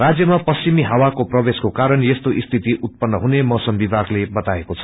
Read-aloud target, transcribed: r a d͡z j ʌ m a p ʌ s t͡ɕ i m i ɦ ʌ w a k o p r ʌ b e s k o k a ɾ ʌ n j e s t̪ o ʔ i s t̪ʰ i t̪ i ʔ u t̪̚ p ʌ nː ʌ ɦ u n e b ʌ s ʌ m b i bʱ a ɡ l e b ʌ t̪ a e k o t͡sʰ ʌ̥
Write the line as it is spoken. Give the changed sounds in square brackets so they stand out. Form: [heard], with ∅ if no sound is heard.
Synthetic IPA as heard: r a d͡z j ʌ m a p ʌ s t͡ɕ i m i ɦ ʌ w a k o p r ʌ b e s k o k a ɾ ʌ n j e s t̪ o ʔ i s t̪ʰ i t̪ i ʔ u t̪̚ p ʌ nː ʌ ɦ u n e [m] ʌ s ʌ m b i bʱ a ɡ l e b ʌ t̪ a e k o t͡sʰ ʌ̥

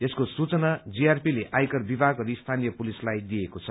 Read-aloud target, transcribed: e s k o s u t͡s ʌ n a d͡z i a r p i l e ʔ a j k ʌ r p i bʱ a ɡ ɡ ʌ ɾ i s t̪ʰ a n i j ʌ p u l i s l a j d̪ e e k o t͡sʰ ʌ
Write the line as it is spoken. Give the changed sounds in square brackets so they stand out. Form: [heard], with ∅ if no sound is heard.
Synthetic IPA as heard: e s k o s u t͡s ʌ n a d͡z i a r p i l e ʔ a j k ʌ r [b] i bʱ a ɡ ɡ ʌ ɾ i s t̪ʰ a n i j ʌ p u l i s l a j d̪ [i] e k o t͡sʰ ʌ

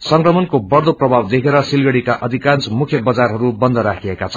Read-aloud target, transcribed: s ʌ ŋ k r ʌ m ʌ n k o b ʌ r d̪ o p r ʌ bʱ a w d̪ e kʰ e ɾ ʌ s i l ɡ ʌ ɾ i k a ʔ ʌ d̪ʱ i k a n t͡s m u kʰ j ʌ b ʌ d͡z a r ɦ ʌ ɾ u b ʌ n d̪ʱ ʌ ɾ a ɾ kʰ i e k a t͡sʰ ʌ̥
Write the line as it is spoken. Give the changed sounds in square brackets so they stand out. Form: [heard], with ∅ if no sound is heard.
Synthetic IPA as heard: s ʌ ŋ k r ʌ m ʌ n k o b ʌ r d̪ o p r ʌ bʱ a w d̪ e kʰ e ɾ ʌ s i l ɡ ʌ [ɽ] i k a ʔ ʌ d̪ʱ i k a n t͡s m u kʰ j ʌ b ʌ d͡z a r ɦ ʌ ɾ u b ʌ n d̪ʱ ʌ ɾ a [∅] kʰ i e k a t͡sʰ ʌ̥

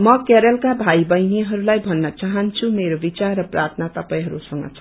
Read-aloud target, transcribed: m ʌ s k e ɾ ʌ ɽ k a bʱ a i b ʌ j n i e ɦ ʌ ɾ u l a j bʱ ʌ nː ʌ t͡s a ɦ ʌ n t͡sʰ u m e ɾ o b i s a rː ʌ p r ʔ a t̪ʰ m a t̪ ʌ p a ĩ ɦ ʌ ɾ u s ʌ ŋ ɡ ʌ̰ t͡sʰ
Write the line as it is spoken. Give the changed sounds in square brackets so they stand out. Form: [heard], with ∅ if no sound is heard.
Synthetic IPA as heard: m ʌ [∅] k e ɾ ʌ [l] k a bʱ a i b ʌ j n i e ɦ ʌ ɾ u l a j bʱ ʌ nː ʌ t͡s a ɦ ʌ n t͡sʰ u m e ɾ o b i [t͡s] a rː ʌ p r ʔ a t̪ʰ [n] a t̪ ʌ p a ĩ ɦ ʌ ɾ u s ʌ ŋ ɡ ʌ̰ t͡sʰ

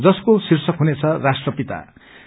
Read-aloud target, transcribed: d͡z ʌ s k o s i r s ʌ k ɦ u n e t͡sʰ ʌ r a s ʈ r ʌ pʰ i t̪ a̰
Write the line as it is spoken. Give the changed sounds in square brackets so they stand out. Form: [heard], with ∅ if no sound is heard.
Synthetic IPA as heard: d͡z ʌ s k o s i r s ʌ k ɦ u n e t͡sʰ ʌ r a s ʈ r ʌ [p] i t̪ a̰

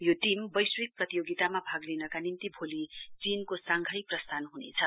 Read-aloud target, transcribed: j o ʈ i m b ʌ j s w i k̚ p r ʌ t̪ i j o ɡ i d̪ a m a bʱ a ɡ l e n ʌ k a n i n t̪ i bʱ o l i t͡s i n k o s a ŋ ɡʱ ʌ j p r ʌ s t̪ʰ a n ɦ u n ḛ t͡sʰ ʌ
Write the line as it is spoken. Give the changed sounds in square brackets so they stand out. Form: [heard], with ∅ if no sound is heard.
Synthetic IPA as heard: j o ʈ i m b ʌ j s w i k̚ p r ʌ t̪ i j o ɡ i [t̪] a m a bʱ a ɡ l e n ʌ k a n i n t̪ i bʱ o l i t͡s i n k o s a ŋ ɡʱ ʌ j p r ʌ s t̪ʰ a n ɦ u n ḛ t͡sʰ ʌ

